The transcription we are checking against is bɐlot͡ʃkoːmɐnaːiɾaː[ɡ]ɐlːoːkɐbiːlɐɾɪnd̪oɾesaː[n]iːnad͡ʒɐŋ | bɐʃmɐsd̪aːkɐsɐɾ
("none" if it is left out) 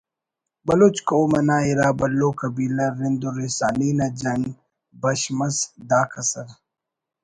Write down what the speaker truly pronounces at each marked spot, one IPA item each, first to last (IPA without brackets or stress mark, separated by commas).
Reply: b, n